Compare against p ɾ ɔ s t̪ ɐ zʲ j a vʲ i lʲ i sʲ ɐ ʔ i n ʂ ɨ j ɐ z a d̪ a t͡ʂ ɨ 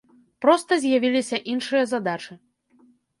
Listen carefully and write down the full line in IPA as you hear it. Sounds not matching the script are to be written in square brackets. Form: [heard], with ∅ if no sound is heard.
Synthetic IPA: p ɾ ɔ s t̪ ɐ zʲ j a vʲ i lʲ i sʲ ɐ ʔ i n ʂ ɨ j ɐ z a d̪ a t͡ʂ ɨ